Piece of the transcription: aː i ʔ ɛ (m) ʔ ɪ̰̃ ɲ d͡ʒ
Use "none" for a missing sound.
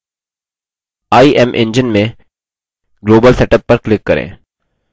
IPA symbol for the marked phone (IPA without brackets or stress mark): m